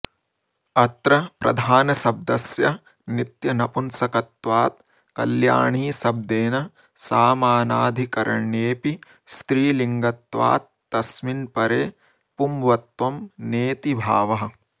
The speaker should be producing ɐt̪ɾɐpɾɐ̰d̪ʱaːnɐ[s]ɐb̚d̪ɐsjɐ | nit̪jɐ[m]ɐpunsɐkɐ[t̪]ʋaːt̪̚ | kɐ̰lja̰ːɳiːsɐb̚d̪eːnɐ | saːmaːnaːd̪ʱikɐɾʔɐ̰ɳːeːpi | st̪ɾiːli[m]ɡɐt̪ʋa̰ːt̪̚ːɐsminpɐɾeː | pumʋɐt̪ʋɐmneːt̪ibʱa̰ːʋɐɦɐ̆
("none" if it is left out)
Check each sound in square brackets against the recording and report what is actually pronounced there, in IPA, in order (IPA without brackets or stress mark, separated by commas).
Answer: s, n, t̪, ŋ